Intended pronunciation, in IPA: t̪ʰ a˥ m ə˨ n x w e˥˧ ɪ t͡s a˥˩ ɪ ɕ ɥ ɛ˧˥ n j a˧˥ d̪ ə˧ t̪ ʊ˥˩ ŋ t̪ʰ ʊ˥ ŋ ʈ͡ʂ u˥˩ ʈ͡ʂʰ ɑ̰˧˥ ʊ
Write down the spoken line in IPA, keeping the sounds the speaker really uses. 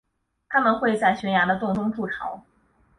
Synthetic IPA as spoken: t̪ʰ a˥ m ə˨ n x w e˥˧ ɪ t͡s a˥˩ ɪ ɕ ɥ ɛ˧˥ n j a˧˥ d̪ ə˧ t̪ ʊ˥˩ ŋ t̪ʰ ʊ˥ ŋ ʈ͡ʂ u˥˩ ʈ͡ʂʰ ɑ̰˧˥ ʊ